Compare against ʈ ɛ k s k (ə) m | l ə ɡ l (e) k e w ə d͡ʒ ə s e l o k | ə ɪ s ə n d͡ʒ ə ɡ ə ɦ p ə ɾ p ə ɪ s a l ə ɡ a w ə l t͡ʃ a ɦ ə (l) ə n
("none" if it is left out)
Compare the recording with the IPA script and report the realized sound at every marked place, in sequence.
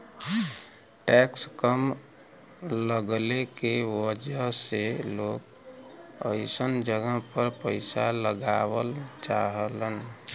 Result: ə, e, l

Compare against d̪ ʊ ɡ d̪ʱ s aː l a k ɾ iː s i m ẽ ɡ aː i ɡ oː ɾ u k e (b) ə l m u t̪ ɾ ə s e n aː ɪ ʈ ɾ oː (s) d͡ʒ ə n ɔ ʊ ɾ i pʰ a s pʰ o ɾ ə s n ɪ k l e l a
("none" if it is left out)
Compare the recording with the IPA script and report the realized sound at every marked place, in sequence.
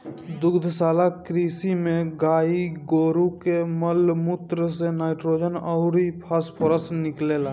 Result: m, none

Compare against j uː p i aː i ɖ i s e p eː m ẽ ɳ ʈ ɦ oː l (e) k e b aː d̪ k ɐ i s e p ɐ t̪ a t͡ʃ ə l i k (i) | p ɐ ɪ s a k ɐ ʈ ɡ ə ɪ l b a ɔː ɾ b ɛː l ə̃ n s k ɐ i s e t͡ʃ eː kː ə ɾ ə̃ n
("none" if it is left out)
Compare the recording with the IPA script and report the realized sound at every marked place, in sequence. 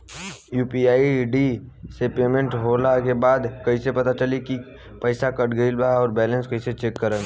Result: a, i

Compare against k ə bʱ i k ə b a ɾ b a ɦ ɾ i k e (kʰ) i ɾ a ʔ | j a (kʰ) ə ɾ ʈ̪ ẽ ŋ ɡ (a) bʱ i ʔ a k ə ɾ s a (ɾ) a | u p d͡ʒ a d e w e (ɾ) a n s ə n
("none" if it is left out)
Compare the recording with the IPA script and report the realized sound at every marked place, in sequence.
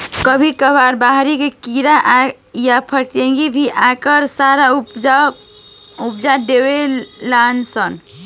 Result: k, pʰ, i, ɾ, l

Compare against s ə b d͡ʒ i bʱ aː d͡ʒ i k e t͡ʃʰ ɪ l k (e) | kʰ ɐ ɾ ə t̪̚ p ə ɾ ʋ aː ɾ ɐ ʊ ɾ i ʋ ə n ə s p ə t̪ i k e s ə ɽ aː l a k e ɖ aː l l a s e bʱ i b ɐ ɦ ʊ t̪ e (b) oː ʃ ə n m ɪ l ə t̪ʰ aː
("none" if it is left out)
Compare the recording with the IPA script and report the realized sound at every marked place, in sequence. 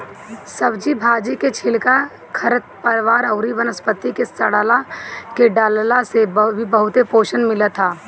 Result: a, p

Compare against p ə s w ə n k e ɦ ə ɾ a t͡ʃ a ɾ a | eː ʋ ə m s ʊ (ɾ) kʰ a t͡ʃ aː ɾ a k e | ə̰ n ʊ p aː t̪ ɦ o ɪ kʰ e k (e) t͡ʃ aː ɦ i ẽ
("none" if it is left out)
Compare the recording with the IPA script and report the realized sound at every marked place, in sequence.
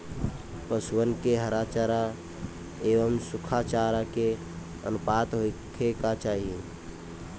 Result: none, a

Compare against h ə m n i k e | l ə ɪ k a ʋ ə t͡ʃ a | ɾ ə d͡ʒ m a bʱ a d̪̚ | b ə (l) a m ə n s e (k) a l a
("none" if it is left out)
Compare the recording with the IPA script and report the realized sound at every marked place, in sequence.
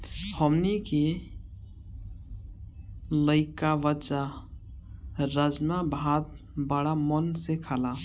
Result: ɽ, kʰ

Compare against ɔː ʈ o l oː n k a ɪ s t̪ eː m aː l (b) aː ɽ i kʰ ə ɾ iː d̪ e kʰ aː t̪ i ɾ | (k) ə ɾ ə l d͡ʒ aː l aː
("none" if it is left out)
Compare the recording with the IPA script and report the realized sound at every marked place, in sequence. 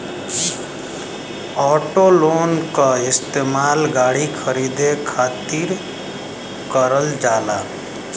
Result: ɡ, k

